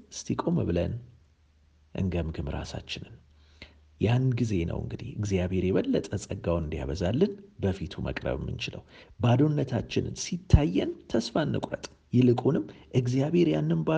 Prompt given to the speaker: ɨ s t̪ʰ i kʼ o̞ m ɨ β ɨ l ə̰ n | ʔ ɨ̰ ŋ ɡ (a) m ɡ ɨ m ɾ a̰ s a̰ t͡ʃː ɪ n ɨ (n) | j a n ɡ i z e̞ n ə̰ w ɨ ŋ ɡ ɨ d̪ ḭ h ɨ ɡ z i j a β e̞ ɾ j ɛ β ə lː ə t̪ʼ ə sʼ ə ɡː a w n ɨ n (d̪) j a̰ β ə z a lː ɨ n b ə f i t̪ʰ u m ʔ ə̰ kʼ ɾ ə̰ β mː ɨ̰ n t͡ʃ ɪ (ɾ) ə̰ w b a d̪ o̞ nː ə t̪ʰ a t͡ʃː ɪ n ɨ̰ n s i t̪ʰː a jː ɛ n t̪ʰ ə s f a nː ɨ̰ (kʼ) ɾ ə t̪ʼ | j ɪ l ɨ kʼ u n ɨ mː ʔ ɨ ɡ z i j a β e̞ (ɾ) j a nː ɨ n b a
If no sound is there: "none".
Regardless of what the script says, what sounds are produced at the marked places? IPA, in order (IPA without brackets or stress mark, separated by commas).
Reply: ə, n, d̪, l, kʼ, ɾ